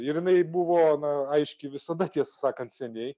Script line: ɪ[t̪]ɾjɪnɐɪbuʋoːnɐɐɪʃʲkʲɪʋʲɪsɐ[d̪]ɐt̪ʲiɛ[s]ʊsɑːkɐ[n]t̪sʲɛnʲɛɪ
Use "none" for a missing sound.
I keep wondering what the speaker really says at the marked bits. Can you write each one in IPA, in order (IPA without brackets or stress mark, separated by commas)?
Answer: none, d̪, s, n